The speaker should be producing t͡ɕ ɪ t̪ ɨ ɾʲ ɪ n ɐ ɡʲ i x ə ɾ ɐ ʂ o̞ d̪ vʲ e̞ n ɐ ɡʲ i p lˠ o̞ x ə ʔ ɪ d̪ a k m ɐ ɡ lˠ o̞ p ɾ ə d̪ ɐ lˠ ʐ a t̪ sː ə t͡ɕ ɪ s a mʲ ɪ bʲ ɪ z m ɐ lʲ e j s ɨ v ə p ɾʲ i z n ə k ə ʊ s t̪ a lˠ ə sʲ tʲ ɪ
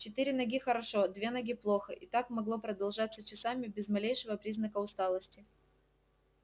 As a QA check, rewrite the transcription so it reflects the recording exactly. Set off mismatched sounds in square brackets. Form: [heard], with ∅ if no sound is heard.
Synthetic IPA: t͡ɕ ɪ t̪ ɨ ɾʲ ɪ n ɐ ɡʲ i x ə ɾ ɐ ʂ o̞ d̪ vʲ e̞ n ɐ ɡʲ i p lˠ o̞ x ə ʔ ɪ [t̪] a k m ɐ ɡ lˠ o̞ p ɾ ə d̪ ɐ lˠ ʐ a t̪ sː ə t͡ɕ ɪ s a mʲ ɪ bʲ ɪ z m ɐ lʲ e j [ʂ] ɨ v ə p ɾʲ i z n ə k ə ʊ s t̪ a lˠ ə sʲ tʲ ɪ